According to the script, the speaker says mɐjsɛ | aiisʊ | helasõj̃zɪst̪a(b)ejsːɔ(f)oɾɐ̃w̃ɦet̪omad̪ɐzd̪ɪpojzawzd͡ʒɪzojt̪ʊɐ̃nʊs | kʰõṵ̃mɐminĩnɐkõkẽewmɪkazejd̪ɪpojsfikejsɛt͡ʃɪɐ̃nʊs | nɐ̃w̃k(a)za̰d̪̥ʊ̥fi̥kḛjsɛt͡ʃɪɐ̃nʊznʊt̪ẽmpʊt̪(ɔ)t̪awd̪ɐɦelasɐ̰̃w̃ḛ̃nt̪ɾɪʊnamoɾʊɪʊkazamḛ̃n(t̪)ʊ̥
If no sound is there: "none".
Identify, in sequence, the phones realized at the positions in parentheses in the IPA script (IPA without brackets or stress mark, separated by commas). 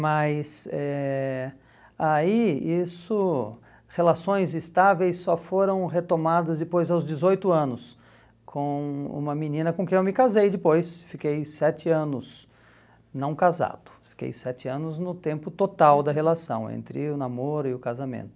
v, f, a, o, t̪